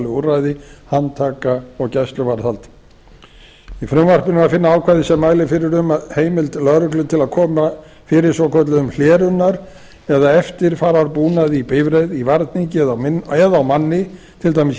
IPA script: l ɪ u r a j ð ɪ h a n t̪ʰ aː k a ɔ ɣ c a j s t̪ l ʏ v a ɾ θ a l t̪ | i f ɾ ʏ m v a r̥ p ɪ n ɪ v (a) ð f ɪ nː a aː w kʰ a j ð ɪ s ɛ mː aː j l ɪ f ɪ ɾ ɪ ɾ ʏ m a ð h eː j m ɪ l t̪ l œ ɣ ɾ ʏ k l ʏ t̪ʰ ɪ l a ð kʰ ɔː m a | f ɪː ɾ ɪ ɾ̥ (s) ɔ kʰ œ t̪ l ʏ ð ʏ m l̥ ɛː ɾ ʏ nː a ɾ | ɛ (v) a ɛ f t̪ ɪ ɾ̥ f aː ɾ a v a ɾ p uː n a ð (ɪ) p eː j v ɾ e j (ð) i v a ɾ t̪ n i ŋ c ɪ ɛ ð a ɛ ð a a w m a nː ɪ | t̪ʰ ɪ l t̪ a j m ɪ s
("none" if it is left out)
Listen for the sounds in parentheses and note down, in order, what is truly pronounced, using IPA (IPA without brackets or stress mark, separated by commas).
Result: a, s, ð, i, ð